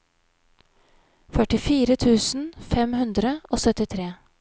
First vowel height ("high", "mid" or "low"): mid